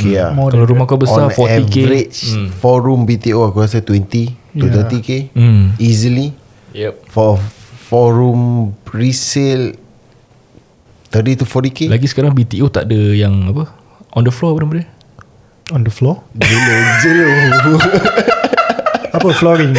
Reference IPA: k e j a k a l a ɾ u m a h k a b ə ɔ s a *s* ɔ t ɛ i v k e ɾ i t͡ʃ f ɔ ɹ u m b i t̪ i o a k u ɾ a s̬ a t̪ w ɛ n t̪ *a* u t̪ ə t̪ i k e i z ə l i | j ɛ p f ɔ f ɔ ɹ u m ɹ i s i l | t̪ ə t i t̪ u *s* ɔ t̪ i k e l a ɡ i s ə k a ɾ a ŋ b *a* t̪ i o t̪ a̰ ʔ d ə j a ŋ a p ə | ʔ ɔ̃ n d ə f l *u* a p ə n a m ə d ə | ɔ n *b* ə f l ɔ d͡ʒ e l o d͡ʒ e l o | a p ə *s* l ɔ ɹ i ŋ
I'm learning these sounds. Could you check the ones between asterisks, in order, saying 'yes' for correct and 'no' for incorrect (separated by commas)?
no, no, no, no, no, no, no